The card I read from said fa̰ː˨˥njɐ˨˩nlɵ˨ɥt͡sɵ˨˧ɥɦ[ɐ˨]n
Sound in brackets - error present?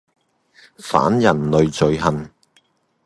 no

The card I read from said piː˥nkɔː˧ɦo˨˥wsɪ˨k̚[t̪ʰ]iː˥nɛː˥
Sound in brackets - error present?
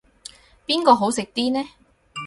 yes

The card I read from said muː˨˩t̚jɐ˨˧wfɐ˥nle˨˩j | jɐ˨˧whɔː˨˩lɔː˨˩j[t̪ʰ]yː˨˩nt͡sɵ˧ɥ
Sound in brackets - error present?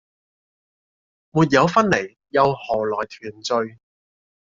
no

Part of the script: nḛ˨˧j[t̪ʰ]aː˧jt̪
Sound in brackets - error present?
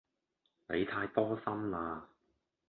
no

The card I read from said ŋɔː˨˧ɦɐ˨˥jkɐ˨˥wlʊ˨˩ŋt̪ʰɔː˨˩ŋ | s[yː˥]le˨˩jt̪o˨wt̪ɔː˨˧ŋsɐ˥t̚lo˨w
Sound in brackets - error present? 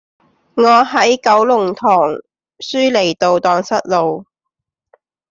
no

